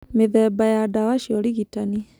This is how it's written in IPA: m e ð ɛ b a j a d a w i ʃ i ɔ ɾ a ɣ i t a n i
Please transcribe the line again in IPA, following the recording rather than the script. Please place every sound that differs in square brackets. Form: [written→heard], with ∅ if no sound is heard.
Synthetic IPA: m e ð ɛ b a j a d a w [i→a] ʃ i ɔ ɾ [a→i] ɣ i t a n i

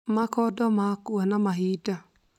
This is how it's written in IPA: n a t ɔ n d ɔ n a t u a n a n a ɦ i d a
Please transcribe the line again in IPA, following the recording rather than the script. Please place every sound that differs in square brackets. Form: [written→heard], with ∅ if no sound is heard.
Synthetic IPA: [n→m] a [t→k] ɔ [n→∅] d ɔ [n→m] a [t→k] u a n a [n→m] a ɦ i d a

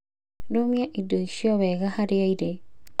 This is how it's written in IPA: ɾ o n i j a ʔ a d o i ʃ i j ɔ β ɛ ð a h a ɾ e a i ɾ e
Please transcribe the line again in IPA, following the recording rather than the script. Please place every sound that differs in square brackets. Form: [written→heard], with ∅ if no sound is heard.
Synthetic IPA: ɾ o [n→m] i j a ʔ [a→i] d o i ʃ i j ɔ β ɛ [ð→ɣ] a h a ɾ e a i ɾ e

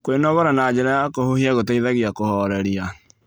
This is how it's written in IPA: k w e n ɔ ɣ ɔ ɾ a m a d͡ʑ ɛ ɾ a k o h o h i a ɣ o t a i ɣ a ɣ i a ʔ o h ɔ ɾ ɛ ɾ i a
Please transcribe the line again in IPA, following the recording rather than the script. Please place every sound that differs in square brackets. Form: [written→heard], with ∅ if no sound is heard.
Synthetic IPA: k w e n ɔ ɣ ɔ ɾ a [m→n] a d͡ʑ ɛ ɾ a k o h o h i a ɣ o t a i [ɣ→ð] a ɣ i a [ʔ→k] o h ɔ ɾ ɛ ɾ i a

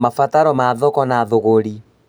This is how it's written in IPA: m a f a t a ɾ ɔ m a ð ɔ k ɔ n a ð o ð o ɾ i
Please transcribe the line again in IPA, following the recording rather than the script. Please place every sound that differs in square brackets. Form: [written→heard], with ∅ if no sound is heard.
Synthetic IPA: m a f a t a ɾ ɔ m a ð ɔ k ɔ n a ð o [ð→ɣ] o ɾ i

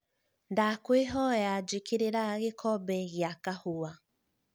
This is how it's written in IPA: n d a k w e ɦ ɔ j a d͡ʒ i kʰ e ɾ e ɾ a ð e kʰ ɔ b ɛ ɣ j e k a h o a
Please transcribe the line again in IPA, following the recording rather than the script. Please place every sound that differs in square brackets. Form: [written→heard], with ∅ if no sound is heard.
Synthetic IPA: n d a k w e ɦ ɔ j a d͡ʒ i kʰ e ɾ e ɾ a [ð→ɣ] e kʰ ɔ b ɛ ɣ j [e→a] k a h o a

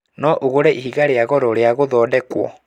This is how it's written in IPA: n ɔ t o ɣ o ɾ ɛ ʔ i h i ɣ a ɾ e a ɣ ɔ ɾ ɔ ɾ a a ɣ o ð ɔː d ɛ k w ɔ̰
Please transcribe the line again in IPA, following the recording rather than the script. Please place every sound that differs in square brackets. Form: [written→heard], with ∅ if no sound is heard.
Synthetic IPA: n ɔ [t→ʔ] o ɣ o ɾ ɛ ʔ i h i ɣ a ɾ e a ɣ ɔ ɾ ɔ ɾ [a→e] a ɣ o ð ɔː d ɛ k w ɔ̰

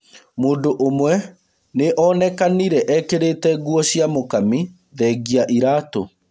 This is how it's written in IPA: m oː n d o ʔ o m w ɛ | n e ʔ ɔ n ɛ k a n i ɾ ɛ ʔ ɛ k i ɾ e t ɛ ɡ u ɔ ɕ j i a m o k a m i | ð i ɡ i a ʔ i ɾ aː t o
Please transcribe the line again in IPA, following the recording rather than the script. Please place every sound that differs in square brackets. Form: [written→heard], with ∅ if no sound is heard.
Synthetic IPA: m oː n d o ʔ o m w ɛ | n e ʔ ɔ n ɛ k a n i ɾ ɛ ʔ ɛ k [i→e] ɾ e t ɛ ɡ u ɔ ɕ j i a m o k a m i | ð [i→ɛ] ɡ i a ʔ i ɾ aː t o

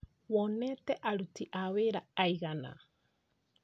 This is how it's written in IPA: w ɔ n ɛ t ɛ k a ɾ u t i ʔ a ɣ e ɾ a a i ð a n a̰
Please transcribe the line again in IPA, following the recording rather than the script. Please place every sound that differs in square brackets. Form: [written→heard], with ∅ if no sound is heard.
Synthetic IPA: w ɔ n ɛ t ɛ [k→ʔ] a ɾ u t i ʔ a [ɣ→w] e ɾ a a i [ð→ɣ] a n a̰

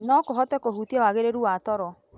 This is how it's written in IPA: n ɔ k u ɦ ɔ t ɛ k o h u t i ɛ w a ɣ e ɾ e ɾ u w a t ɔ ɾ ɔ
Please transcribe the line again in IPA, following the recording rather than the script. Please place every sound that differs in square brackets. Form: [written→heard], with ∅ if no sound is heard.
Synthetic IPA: n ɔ k [u→o] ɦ ɔ t ɛ k o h u t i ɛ w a ɣ e ɾ e ɾ u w a t ɔ ɾ ɔ

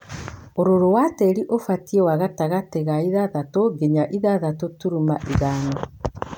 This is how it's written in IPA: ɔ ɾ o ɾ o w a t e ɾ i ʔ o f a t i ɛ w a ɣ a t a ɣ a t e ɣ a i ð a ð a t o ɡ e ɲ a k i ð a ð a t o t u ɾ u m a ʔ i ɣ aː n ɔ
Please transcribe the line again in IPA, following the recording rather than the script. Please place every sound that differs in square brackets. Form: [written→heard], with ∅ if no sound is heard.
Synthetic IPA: [ɔ→o] ɾ o ɾ o w a t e ɾ i ʔ o f a t i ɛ w a ɣ a t a ɣ a t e ɣ a i ð a ð a t o ɡ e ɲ a [k→ʔ] i ð a ð a t o t u ɾ u m a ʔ i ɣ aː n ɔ

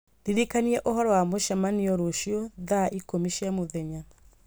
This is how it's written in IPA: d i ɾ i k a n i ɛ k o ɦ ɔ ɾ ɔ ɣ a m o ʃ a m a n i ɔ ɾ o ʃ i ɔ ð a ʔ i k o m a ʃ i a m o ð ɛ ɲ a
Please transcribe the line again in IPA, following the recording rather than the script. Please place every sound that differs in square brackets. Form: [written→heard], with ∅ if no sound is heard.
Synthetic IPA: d i ɾ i k a n i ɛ [k→ʔ] o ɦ ɔ ɾ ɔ [ɣ→w] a m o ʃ a m a n i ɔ ɾ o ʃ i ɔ ð a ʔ i k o m [a→i] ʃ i a m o ð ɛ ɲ a

